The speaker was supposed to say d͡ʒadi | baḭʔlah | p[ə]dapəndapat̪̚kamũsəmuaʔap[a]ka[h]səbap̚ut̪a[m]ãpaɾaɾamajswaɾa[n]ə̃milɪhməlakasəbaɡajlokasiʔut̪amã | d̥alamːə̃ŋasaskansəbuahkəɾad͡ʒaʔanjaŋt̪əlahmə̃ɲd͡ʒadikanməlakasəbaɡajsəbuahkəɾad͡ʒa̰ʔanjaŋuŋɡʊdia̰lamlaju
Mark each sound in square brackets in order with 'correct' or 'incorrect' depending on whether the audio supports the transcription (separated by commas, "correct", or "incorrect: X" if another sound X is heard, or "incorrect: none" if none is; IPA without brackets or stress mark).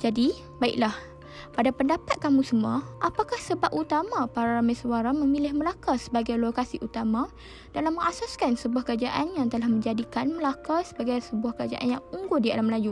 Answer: incorrect: a, correct, correct, correct, incorrect: m